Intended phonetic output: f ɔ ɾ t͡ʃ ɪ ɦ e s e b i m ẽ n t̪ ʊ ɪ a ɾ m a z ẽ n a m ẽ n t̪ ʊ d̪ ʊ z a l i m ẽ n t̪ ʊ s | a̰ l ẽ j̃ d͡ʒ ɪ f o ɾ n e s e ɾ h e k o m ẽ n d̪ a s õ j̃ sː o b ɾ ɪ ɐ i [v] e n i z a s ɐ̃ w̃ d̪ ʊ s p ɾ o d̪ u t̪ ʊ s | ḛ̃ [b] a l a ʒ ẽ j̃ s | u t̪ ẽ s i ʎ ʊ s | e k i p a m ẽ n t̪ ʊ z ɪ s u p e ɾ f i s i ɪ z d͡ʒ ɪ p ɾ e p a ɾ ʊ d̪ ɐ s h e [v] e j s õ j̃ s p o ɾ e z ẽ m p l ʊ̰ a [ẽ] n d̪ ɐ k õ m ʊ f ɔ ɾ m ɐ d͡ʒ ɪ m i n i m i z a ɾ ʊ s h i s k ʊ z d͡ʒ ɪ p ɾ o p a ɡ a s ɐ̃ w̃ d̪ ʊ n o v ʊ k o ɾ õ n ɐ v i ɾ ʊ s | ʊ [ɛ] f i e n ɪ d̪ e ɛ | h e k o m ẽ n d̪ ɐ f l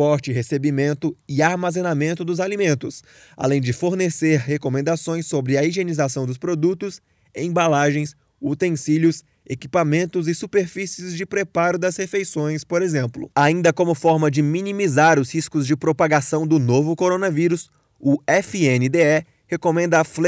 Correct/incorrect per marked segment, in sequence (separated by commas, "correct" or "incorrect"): incorrect, correct, incorrect, incorrect, correct